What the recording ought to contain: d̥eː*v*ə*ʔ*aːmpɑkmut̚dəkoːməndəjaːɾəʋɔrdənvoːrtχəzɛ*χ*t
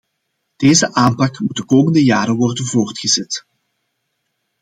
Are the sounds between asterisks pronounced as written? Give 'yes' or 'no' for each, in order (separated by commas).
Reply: no, yes, no